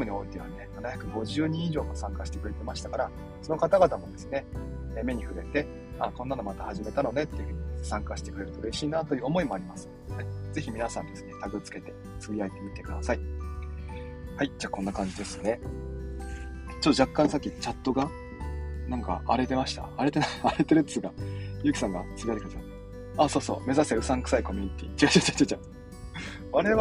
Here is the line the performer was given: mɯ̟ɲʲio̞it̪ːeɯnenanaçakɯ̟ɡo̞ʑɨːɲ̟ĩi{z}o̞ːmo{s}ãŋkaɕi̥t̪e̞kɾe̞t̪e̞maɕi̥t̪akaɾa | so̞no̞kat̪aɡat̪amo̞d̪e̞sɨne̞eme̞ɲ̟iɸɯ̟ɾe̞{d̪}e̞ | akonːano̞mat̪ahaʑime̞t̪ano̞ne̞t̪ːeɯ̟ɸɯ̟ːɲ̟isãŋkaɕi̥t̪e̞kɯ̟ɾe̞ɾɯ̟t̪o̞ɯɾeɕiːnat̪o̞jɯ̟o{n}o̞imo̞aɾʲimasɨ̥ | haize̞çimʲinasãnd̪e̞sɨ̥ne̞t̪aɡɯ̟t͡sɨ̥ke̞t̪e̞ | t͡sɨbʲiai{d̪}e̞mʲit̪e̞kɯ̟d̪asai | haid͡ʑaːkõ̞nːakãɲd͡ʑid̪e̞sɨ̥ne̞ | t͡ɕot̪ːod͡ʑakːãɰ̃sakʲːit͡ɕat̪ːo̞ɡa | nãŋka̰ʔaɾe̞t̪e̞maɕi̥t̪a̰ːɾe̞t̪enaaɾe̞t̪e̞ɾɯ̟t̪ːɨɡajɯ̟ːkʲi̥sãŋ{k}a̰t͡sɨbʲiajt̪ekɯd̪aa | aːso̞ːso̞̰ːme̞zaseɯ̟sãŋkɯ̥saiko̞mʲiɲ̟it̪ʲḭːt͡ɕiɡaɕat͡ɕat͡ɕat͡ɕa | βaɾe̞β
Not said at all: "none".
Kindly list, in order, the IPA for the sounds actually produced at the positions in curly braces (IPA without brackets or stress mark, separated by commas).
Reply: ʑ, s, t̪, m, t̪, ɡ